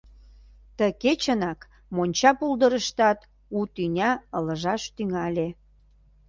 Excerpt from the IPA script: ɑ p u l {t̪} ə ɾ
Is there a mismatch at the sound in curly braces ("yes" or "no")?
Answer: yes